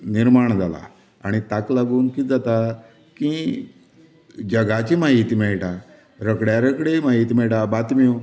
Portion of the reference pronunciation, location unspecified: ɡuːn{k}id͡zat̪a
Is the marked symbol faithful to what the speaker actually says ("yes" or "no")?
yes